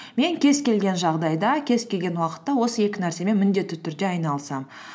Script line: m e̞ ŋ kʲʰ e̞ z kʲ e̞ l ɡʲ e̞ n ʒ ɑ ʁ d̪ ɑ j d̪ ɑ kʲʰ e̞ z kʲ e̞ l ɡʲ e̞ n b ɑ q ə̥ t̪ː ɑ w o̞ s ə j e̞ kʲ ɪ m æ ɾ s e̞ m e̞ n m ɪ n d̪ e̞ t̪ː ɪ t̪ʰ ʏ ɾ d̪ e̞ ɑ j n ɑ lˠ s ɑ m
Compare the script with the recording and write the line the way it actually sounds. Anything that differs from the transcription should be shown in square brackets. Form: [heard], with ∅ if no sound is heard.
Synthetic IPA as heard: m e̞ ŋ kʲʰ e̞ z kʲ e̞ l ɡʲ e̞ n ʒ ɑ ʁ d̪ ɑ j d̪ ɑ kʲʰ e̞ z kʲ e̞ l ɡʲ e̞ n [w] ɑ q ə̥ t̪ː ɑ w o̞ s ə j e̞ kʲ ɪ [n] æ ɾ s e̞ m e̞ n m ɪ n d̪ e̞ t̪ː ɪ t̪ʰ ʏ ɾ d̪ e̞ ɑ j n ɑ lˠ s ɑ m